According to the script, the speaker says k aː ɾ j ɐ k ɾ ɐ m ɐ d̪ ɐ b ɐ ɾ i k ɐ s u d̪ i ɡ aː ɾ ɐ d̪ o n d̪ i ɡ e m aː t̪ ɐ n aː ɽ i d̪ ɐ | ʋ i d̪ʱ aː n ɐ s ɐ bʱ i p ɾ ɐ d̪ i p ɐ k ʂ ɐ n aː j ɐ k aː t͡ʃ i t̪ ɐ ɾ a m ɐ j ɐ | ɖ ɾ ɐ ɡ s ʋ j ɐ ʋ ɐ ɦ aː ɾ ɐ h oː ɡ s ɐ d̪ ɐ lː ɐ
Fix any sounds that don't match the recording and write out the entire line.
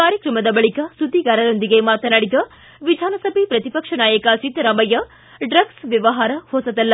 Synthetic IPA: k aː ɾ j ɐ k ɾ ɐ m ɐ d̪ ɐ b ɐ ɭ i k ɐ s u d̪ i ɡ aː ɾ ɐ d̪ o n d̪ i ɡ e m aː t̪ ɐ n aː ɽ i d̪ ɐ | ʋ i d̪ʱ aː n ɐ s ɐ bʱ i p ɾ ɐ t̪ i p ɐ k ʂ ɐ n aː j ɐ k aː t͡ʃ i t̪ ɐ ɾ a m ɐ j ɐ | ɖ ɾ ɐ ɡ s ʋ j ɐ ʋ ɐ ɦ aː ɾ ɐ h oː s ɐ d̪ ɐ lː ɐ

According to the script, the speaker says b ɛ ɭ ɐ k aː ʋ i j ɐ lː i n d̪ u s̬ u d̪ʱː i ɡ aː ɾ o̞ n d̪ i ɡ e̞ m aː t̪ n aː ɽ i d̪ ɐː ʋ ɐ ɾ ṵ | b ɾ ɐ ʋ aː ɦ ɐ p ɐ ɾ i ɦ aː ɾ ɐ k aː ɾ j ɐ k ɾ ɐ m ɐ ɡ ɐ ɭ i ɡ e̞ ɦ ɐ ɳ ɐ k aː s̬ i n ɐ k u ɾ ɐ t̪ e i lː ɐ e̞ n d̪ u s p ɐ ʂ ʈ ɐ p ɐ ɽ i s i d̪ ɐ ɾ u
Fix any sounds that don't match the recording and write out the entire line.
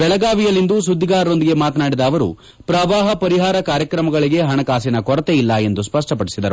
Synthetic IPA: b ɛ ɭ ɐ ɡ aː ʋ i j ɐ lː i n d̪ u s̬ u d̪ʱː i ɡ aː ɾ o̞ n d̪ i ɡ e̞ m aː t̪ n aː ɽ i d̪ ɐː ʋ ɐ ɾ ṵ | p ɾ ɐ ʋ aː ɦ ɐ p ɐ ɾ i ɦ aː ɾ ɐ k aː ɾ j ɐ k ɾ ɐ m ɐ ɡ ɐ ɭ i ɡ e̞ ɦ ɐ ɳ ɐ k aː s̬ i n ɐ k ɔ ɾ ɐ t̪ e i lː ɐ e̞ n d̪ u s p ɐ ʂ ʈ ɐ p ɐ ɽ i s i d̪ ɐ ɾ u

